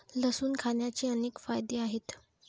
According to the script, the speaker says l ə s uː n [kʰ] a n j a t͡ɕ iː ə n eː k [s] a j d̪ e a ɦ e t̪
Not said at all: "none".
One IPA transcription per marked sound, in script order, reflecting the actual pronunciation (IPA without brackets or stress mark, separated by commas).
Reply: kʰ, f